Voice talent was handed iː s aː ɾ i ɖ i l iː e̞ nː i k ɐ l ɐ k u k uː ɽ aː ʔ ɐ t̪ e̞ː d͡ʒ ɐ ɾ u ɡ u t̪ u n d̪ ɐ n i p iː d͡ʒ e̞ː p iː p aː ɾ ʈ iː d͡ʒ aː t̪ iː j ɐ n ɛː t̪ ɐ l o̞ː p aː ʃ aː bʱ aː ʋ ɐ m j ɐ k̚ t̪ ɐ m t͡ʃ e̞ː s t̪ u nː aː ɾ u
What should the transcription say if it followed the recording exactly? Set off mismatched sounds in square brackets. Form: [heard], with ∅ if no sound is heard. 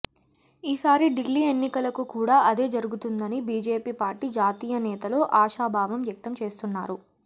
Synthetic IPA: iː s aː ɾ i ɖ i [lː] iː e̞ nː i k ɐ l ɐ k u k uː ɽ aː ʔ ɐ [d̪] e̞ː d͡ʒ ɐ ɾ u ɡ u t̪ u n d̪ ɐ n i [b] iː d͡ʒ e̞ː p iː p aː ɾ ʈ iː d͡ʒ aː t̪ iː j ɐ n ɛː t̪ ɐ l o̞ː [ʔ] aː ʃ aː bʱ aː ʋ ɐ m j ɐ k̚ t̪ ɐ m t͡ʃ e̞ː s t̪ u nː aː ɾ u